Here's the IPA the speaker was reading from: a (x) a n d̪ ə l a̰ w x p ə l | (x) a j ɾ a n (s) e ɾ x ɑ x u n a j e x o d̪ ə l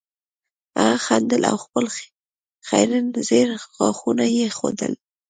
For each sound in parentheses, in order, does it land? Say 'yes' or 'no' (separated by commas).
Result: yes, yes, no